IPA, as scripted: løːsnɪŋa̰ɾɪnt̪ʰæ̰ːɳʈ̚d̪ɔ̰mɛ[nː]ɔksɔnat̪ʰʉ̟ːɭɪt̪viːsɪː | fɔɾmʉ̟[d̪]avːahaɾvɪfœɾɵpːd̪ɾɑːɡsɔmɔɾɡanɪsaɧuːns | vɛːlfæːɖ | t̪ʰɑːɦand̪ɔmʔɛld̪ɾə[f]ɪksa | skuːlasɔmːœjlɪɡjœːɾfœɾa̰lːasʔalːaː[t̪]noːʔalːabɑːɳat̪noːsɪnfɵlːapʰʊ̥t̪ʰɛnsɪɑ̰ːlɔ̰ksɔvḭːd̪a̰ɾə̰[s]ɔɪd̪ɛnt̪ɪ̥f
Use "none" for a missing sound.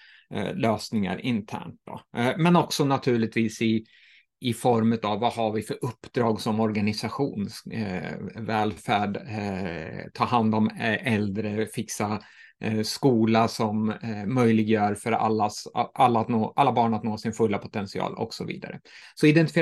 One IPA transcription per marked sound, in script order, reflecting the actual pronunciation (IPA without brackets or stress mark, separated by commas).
n, t̪, f, t̪, s